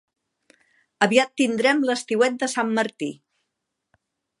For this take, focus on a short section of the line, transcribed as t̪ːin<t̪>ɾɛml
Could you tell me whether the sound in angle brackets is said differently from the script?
yes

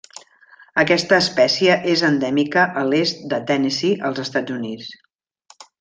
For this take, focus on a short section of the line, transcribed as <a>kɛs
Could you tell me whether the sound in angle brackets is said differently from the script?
yes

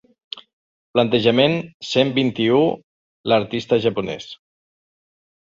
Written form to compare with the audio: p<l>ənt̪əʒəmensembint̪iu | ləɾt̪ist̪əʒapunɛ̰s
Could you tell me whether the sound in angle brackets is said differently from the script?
no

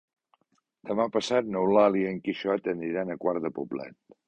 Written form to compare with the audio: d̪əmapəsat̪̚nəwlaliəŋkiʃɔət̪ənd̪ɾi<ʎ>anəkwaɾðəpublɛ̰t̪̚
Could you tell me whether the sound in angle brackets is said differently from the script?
yes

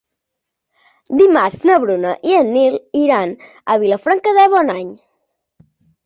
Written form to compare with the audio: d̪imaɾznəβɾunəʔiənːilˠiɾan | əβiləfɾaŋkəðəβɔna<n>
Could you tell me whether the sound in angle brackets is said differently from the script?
yes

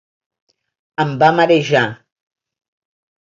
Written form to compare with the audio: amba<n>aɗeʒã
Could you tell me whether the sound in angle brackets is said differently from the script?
yes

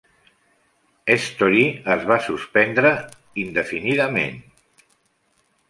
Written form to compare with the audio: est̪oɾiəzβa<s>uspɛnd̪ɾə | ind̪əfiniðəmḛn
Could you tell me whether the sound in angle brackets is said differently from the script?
no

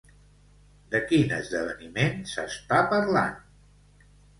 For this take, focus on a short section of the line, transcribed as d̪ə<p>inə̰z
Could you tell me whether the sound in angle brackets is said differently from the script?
yes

